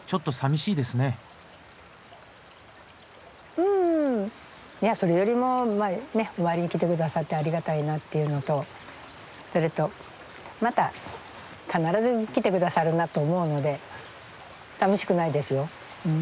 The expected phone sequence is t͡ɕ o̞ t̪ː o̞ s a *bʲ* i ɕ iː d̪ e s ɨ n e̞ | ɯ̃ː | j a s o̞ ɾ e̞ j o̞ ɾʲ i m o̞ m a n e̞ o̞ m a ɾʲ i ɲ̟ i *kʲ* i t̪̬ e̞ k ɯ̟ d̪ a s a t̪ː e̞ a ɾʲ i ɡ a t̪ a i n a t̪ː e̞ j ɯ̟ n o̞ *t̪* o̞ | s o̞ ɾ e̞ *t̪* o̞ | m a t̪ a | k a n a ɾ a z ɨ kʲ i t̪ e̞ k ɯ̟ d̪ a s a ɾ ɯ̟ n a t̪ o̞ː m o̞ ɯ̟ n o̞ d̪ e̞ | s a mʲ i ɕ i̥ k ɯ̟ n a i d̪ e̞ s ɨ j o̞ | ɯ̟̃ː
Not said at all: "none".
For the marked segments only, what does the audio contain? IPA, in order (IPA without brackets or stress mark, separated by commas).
mʲ, kʲ, t̪, t̪